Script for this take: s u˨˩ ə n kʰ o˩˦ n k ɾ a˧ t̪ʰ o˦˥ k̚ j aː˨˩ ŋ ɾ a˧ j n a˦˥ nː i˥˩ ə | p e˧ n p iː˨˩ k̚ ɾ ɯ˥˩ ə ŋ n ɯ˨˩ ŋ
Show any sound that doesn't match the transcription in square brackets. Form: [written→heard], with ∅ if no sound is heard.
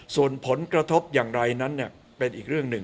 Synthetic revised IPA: s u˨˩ ə n [kʰ→pʰ] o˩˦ n k ɾ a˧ t̪ʰ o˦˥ [k̚→p̚] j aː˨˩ ŋ ɾ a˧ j n a˦˥ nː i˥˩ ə | p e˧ n [p→ʔ] iː˨˩ k̚ ɾ ɯ˥˩ ə ŋ n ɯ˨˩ ŋ